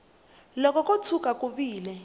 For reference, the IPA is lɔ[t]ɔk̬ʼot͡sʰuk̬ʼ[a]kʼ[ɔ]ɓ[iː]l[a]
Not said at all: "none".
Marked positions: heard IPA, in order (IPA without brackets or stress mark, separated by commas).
k, a, u, iː, ɛ